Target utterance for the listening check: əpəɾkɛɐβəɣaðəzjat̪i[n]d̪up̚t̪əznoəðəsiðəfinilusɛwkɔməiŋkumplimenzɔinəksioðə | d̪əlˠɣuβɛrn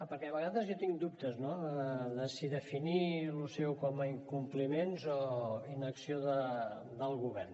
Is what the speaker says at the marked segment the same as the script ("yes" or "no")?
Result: no